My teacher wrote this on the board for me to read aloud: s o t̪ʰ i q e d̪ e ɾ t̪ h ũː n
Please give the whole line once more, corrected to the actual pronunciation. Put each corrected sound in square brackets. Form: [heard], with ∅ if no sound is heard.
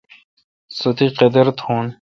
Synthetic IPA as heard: s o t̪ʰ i q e d̪ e ɾ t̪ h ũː n